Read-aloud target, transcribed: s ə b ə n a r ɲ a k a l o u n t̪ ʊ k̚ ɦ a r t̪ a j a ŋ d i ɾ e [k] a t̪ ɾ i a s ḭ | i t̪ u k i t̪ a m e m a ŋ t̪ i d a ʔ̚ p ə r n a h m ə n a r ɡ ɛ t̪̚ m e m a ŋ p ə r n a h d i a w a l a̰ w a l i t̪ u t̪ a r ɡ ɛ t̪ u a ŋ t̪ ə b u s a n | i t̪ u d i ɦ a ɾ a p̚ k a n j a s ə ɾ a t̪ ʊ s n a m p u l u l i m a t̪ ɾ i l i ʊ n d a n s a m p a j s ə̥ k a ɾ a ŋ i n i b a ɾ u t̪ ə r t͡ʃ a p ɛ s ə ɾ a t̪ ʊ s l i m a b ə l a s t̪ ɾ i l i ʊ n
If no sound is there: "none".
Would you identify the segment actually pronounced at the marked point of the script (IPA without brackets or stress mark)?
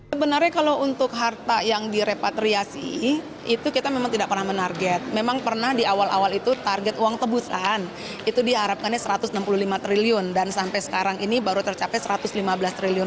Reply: p